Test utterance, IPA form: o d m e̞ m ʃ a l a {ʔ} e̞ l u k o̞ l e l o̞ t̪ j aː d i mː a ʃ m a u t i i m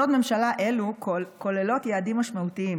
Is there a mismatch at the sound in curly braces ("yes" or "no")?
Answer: no